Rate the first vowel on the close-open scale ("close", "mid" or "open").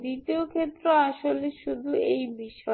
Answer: close